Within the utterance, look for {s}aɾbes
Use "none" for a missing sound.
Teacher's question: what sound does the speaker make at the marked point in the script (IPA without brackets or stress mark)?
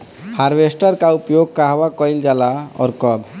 h